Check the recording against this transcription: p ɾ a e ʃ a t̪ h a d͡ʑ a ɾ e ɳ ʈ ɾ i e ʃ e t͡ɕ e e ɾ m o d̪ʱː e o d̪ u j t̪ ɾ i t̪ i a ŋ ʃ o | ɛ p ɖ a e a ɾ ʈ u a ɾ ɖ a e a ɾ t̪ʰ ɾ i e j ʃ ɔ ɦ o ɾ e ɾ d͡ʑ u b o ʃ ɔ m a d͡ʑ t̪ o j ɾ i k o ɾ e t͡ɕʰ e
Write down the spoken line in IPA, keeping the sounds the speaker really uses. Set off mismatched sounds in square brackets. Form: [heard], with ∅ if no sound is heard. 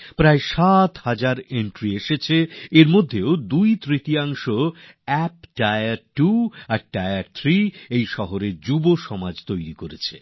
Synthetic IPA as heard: p ɾ a e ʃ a t̪ h a d͡ʑ a ɾ e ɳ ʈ ɾ i e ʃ e [t͡ɕʰ] e e ɾ m o d̪ʱː e o d̪ u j t̪ ɾ i t̪ i a ŋ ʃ o | ɛ p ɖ a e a ɾ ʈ u a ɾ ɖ a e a ɾ t̪ʰ ɾ i e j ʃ ɔ ɦ o ɾ e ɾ d͡ʑ u b o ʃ ɔ m a d͡ʑ t̪ o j ɾ i k o ɾ e t͡ɕʰ e